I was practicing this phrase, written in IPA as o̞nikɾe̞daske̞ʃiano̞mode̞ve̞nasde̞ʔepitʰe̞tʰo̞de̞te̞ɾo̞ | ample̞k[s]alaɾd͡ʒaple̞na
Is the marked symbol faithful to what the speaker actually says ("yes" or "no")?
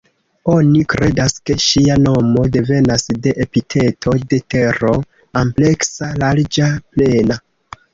yes